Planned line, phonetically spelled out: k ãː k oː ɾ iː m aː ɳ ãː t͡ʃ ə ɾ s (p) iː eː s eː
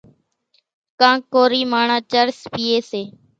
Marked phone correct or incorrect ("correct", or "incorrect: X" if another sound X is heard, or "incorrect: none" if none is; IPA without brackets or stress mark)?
correct